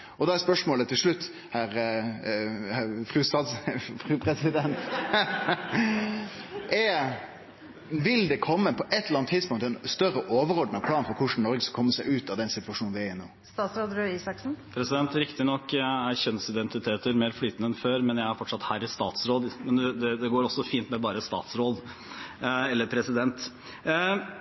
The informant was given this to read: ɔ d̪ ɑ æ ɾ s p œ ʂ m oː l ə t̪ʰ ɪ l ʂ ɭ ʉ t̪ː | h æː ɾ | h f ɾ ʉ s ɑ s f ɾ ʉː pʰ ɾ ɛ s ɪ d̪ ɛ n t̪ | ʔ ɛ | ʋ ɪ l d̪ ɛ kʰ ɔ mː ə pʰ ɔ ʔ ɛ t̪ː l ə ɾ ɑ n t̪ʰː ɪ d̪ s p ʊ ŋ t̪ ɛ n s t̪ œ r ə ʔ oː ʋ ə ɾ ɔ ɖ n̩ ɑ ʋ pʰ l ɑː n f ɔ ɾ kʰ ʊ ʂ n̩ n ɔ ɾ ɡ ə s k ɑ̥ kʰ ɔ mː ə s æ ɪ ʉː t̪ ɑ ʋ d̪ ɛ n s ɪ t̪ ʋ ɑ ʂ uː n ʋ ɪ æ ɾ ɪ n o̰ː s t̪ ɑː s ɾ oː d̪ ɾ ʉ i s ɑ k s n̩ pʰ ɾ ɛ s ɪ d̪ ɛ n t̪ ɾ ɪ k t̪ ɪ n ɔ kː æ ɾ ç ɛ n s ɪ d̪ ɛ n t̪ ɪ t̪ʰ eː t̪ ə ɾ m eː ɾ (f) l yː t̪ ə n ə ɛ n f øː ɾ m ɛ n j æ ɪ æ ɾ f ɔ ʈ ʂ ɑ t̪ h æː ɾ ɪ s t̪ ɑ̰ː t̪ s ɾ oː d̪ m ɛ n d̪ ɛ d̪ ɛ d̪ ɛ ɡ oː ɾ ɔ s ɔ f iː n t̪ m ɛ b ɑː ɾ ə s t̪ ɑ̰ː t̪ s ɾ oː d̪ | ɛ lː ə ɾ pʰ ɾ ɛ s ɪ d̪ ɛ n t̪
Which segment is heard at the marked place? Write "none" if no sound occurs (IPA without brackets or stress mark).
f